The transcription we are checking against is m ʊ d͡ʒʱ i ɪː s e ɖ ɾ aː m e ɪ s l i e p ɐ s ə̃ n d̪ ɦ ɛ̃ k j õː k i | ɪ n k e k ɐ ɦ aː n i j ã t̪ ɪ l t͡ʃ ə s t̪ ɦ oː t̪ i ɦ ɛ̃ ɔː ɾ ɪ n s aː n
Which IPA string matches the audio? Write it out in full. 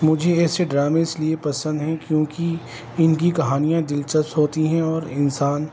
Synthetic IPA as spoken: m ʊ d͡ʒʱ e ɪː s e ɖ ɾ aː m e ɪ s l i e p ɐ s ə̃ n d̪ ɦ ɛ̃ k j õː k i | ɪ n k i k ɐ ɦ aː n i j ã d̪ ɪ l t͡ʃ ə s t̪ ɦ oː t̪ i ɦ ɛ̃ ɔː ɾ ɪ n s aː n